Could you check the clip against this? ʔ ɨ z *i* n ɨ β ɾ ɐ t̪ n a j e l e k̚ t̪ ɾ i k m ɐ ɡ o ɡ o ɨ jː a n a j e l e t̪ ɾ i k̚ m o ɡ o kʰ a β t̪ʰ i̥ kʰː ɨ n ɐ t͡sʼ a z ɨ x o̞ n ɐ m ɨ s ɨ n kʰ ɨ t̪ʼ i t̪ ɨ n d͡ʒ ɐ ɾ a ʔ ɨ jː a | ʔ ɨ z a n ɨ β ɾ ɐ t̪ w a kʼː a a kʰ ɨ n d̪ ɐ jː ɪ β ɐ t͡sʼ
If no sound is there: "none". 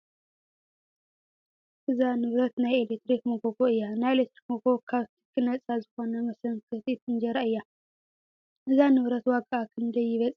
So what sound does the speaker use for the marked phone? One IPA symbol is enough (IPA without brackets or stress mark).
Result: a